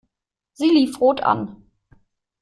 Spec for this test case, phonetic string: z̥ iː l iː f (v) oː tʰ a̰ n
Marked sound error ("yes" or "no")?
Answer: yes